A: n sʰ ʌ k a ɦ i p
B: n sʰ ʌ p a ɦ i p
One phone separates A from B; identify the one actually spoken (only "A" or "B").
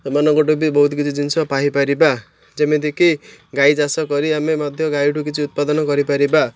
B